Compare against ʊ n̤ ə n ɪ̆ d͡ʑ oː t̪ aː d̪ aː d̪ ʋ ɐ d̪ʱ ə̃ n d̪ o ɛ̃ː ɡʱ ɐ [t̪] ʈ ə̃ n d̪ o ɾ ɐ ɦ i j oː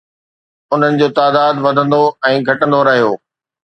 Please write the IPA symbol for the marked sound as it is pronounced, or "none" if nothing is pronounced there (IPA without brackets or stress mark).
none